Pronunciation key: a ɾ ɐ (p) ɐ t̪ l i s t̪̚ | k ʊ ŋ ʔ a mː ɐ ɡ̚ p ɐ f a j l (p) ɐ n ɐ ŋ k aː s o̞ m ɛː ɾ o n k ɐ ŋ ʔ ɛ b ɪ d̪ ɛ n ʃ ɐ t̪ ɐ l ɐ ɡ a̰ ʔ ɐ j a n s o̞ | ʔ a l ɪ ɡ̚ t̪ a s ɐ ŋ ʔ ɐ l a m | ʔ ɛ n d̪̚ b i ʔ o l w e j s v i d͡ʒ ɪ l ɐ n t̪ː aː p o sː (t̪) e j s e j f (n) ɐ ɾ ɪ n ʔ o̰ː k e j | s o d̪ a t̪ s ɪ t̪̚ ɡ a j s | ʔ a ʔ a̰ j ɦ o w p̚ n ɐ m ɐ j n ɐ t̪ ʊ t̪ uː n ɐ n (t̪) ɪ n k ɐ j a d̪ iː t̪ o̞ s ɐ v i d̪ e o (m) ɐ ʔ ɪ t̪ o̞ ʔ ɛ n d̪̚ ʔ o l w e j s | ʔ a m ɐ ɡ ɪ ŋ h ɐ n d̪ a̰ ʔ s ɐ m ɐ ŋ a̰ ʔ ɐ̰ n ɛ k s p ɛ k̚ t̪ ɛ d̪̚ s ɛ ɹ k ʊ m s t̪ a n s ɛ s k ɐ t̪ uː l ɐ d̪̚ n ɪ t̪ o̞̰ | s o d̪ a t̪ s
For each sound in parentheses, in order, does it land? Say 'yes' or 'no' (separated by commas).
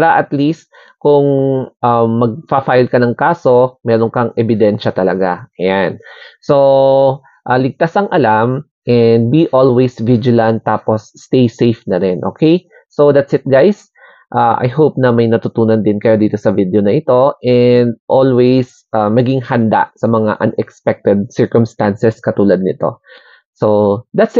no, no, yes, yes, no, no